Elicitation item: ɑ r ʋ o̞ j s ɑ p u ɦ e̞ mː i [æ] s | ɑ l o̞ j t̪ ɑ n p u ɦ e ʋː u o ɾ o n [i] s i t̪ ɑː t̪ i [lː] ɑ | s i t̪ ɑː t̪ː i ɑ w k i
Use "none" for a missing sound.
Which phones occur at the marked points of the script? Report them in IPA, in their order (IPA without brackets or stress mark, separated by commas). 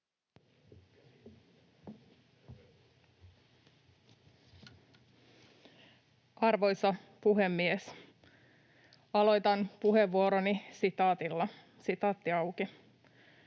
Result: e, i, lː